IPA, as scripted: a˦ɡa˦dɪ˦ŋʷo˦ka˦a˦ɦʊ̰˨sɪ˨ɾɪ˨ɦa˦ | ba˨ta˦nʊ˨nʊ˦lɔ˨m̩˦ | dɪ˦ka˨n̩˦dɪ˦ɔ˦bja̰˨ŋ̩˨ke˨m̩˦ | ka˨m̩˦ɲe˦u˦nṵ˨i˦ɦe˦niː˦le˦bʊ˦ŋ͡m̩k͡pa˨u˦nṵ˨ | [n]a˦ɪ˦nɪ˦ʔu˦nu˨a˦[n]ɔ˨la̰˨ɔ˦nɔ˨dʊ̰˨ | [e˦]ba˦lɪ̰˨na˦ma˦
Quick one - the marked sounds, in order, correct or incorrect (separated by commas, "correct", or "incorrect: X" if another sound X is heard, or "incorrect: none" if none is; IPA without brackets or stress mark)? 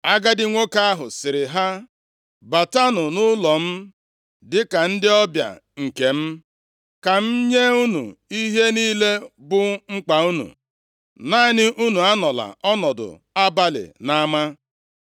correct, correct, incorrect: a˦